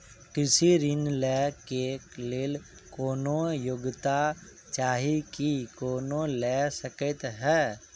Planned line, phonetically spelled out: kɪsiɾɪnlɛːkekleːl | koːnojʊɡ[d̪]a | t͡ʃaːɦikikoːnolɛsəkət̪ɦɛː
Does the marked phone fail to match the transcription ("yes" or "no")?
yes